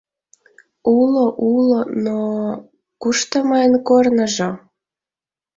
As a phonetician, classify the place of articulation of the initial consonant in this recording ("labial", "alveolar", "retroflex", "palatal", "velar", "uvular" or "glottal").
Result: alveolar